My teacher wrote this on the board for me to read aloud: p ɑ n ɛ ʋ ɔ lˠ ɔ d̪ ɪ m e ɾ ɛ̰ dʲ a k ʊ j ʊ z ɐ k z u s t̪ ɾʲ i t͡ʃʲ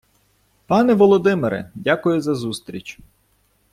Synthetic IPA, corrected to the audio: p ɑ n ɛ ʋ ɔ lˠ ɔ d̪ ɪ m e ɾ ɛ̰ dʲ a k ʊ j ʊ z ɐ z u s t̪ ɾʲ i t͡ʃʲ